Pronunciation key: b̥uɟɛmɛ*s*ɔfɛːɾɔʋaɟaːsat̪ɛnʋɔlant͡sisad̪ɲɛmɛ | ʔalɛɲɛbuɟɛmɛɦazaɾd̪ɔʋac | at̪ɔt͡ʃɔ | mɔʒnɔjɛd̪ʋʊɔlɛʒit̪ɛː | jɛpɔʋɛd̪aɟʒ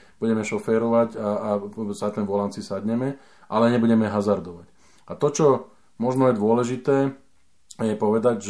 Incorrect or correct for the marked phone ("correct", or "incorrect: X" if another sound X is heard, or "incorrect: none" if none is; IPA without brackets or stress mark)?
incorrect: ʃ